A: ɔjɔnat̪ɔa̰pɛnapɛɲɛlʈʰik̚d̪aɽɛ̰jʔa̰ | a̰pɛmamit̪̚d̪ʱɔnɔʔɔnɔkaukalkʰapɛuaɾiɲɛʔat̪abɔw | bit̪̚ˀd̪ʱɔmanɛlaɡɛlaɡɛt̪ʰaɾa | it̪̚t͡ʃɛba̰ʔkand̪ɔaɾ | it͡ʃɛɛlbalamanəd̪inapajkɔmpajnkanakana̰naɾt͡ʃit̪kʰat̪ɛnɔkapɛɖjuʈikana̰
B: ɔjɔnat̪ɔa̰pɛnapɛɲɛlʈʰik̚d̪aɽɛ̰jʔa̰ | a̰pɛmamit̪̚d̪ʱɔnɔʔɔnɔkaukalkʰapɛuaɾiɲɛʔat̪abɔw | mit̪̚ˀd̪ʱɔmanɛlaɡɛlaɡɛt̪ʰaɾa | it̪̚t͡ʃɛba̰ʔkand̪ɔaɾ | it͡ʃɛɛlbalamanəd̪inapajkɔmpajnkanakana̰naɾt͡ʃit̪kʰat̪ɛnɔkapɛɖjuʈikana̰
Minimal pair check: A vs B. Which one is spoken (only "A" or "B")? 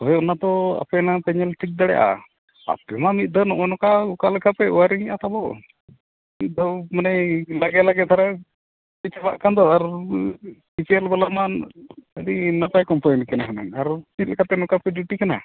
B